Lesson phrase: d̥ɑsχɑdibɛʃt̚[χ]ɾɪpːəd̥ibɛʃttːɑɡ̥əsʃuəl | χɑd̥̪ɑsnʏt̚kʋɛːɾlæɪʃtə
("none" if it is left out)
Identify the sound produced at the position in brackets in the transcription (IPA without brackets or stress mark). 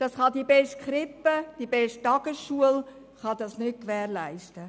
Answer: χ